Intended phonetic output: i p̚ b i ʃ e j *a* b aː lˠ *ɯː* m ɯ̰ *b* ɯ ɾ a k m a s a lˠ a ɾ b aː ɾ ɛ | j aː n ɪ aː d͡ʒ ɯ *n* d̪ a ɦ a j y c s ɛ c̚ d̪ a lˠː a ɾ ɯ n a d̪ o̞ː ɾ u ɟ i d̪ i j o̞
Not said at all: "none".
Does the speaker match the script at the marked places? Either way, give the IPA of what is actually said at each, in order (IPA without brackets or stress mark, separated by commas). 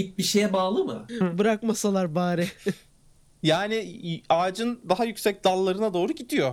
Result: ɛ, ɯ, b, n